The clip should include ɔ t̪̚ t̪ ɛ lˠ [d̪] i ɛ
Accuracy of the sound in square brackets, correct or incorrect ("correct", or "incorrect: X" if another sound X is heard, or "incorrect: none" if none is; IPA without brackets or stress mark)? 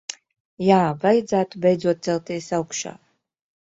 incorrect: t̪